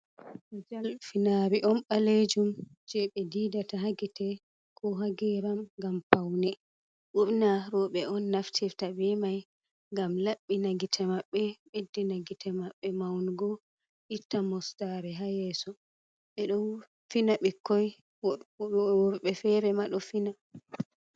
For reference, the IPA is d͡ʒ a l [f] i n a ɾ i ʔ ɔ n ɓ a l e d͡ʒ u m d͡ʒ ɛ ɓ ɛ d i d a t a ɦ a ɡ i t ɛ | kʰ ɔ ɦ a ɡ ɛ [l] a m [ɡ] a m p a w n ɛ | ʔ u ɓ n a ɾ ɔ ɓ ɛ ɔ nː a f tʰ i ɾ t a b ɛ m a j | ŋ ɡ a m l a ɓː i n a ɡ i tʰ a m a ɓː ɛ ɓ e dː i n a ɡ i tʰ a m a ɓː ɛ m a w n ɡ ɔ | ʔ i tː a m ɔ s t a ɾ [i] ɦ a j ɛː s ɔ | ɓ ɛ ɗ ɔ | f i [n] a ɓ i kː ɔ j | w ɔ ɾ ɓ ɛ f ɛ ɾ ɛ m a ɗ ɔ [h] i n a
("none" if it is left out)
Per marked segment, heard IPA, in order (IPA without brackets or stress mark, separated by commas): f, ɾ, ɡ, ɛ, n, f